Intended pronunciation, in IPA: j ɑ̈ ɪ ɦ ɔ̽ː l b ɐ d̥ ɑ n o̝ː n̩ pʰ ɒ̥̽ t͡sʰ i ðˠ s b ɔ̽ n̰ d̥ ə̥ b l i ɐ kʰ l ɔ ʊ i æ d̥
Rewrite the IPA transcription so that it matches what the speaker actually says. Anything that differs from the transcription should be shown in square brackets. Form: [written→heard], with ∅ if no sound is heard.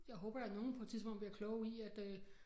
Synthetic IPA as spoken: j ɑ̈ ɪ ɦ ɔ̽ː [l→∅] b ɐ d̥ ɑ n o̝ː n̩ pʰ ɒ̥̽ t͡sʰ i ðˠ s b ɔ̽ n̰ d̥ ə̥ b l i ɐ kʰ l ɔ ʊ i æ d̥